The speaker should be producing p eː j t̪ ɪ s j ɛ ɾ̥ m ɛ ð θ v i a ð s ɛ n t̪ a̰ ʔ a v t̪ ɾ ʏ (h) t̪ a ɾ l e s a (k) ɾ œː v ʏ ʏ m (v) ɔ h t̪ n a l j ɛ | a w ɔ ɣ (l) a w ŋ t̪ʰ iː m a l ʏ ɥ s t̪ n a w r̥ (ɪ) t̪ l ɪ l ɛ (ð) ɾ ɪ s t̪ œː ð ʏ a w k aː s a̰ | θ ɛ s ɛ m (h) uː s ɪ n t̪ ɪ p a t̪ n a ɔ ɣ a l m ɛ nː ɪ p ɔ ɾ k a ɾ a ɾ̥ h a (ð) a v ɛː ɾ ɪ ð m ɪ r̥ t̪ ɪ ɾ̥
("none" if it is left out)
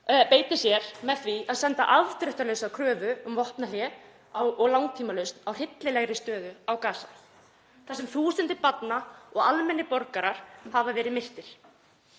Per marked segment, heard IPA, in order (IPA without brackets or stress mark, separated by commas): h, kʰ, v, l, ɪ, ɣ, θ, v